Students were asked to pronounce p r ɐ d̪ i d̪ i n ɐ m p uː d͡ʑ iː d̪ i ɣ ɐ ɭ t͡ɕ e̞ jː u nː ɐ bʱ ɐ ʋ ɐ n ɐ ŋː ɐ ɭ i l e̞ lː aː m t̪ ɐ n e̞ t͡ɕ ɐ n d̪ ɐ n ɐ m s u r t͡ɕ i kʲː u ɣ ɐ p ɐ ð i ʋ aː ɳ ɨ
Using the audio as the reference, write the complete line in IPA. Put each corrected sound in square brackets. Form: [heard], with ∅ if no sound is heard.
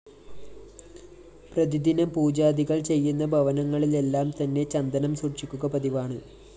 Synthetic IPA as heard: p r ɐ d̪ i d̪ i n ɐ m p uː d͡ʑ [aː] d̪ i ɣ ɐ ɭ t͡ɕ e̞ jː u nː ɐ bʱ ɐ ʋ ɐ n ɐ ŋː ɐ ɭ i l e̞ lː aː m t̪ ɐ [nː] e̞ t͡ɕ ɐ n d̪ ɐ n ɐ m s u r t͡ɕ i kʲː u ɣ ɐ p ɐ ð i ʋ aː ɳ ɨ